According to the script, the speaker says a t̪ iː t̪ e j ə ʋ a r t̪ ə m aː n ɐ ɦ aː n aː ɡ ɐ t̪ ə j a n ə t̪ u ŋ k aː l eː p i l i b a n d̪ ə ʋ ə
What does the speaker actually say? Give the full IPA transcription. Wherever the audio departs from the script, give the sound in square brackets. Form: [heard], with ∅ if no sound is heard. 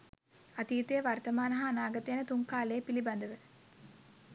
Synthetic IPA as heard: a t̪ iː t̪ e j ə ʋ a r t̪ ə m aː n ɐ ɦ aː n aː ɡ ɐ t̪ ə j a n ə t̪ u ŋ k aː l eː p i l i b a n d̪ ə ʋ ə